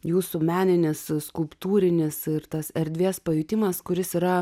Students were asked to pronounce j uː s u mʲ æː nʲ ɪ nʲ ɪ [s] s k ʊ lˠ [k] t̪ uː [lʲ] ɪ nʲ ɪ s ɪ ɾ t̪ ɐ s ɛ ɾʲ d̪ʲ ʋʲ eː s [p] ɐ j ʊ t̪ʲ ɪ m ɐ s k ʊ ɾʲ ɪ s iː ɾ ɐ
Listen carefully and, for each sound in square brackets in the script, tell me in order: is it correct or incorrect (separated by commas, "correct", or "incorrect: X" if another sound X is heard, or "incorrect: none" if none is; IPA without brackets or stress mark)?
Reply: correct, incorrect: p, incorrect: ɾʲ, correct